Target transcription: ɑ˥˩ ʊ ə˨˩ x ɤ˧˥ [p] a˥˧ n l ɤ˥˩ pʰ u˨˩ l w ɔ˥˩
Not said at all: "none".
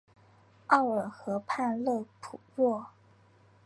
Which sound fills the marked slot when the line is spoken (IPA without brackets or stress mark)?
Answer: pʰ